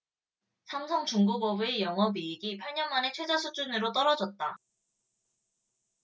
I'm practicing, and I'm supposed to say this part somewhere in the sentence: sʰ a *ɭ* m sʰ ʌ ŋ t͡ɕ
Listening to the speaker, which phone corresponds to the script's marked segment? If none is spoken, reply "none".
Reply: none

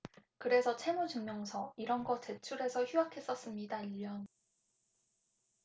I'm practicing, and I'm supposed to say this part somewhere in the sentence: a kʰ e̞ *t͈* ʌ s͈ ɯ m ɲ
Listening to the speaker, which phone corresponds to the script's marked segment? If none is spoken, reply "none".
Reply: s͈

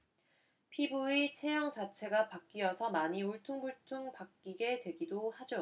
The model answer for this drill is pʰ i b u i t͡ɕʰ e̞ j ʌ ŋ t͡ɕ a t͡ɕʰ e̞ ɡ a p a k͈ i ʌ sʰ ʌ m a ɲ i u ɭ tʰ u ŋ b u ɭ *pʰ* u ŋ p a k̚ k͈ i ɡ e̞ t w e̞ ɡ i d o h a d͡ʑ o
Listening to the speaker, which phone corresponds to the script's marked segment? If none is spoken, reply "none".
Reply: tʰ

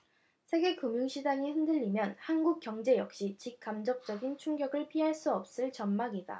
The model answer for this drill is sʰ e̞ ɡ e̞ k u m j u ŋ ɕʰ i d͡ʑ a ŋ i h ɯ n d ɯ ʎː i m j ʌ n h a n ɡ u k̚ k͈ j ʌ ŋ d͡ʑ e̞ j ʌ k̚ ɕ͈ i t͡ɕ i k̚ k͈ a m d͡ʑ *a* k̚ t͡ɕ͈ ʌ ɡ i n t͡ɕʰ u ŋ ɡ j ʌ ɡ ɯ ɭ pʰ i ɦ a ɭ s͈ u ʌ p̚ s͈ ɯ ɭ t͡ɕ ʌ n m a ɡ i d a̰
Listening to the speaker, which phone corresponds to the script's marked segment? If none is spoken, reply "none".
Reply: ʌ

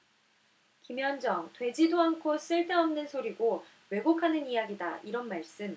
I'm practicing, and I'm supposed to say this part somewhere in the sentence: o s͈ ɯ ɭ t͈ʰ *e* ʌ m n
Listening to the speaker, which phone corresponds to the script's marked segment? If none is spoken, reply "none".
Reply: e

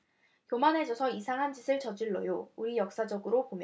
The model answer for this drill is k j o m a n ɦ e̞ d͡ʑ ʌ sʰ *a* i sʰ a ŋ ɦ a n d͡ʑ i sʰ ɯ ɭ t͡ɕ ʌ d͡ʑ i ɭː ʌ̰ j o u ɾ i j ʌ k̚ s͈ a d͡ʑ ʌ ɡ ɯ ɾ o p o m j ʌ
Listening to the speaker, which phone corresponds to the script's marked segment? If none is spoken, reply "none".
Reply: ʌ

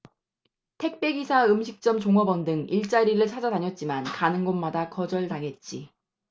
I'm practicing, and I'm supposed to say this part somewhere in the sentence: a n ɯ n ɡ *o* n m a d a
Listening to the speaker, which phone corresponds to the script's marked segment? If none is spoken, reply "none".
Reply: o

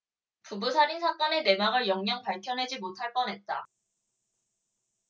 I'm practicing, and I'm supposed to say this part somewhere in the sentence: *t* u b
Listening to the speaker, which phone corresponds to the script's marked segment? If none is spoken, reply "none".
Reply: p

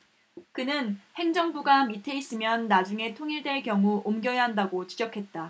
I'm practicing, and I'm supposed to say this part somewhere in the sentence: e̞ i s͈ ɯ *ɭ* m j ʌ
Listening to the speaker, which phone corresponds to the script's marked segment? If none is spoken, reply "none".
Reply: none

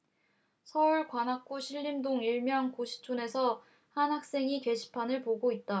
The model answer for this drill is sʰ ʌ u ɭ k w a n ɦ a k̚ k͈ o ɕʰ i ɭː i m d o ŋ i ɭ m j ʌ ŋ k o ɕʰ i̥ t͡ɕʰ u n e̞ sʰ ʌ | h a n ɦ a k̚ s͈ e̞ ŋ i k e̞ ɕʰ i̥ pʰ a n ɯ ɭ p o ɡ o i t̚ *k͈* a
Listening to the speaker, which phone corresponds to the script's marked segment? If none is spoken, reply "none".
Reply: t͈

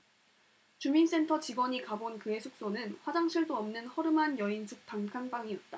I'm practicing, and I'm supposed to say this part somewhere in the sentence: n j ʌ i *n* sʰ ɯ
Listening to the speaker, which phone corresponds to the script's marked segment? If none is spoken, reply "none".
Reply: n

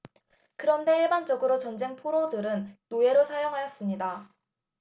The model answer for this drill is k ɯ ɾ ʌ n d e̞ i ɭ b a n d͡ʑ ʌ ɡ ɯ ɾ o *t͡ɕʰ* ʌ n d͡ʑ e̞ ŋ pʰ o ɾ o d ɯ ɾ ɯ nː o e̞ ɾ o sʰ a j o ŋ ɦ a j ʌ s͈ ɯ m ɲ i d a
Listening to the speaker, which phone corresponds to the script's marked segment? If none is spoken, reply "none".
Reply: t͡ɕ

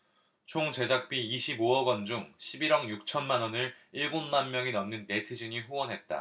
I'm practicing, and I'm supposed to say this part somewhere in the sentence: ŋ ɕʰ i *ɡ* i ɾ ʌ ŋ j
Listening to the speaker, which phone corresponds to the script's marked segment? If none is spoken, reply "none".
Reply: b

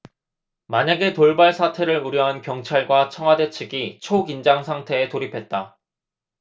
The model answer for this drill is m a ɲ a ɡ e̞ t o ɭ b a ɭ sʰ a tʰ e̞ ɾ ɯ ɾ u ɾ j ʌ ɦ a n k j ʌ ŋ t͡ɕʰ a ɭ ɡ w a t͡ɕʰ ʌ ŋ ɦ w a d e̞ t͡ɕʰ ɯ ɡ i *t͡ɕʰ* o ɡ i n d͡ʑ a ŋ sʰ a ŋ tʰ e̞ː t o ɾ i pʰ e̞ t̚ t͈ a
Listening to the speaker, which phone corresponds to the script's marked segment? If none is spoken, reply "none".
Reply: t͡ɕʰ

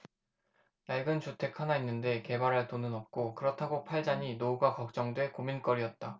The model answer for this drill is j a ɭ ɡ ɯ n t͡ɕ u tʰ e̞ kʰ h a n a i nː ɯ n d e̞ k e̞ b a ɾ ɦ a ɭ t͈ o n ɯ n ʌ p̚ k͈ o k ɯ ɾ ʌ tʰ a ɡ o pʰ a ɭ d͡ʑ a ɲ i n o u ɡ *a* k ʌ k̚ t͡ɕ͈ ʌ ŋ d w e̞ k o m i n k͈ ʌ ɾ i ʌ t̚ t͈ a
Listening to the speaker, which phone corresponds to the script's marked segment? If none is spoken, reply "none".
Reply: a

